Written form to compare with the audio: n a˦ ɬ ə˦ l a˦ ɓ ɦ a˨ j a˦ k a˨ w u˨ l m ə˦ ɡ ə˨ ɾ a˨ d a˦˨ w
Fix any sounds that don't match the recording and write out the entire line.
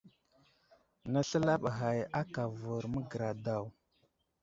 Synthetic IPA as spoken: n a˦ ɬ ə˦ l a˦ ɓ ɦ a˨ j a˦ k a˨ v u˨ ɾ m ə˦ ɡ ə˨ ɾ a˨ d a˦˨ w